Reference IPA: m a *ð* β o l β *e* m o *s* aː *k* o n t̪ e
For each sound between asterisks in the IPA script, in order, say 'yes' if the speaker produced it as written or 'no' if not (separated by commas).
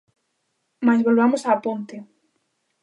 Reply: no, no, yes, no